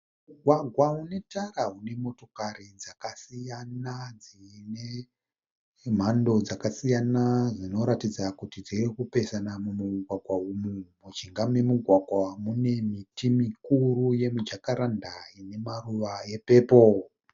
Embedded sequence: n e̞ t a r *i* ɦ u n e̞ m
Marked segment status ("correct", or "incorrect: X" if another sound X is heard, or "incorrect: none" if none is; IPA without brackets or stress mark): incorrect: a